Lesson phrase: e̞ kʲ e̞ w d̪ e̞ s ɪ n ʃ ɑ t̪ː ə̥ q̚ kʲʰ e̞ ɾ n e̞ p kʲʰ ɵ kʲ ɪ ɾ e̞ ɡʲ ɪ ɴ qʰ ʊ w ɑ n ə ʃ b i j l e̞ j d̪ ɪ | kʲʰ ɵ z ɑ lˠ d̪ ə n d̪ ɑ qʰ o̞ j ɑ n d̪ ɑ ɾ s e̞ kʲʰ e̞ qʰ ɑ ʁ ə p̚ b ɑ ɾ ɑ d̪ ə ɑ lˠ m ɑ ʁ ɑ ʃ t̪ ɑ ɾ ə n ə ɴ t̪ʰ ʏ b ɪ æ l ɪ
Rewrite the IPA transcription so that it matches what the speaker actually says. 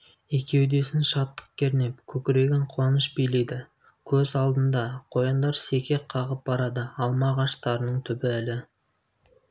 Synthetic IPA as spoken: e̞ kʲ e̞ w d̪ e̞ s ɪ n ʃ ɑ t̪ː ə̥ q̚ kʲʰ e̞ ɾ n e̞ p kʲʰ ɵ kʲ ɪ ɾ e̞ ɡʲ ɪ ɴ qʰ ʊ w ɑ n ə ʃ b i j l e̞ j d̪ ɪ | kʲʰ ɵ z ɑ lˠ d̪ ə n d̪ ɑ qʰ o̞ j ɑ n d̪ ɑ ɾ s e̞ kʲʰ e̞ qʰ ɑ ʁ ə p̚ b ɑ ɾ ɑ d̪ ə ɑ lˠ m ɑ ʁ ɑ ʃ t̪ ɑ ɾ ə n ə ɴ t̪ʰ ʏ b ɪ æ l ɪ